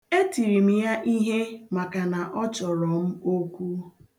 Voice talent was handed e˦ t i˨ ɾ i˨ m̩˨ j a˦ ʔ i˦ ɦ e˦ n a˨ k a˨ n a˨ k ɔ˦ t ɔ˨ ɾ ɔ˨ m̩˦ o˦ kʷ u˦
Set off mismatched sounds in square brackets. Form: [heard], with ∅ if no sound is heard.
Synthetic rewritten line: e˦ t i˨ ɾ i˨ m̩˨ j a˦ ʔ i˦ ɦ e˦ [m] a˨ k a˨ n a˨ [ʔ] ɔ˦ [t͡ʃ] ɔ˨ ɾ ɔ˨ m̩˦ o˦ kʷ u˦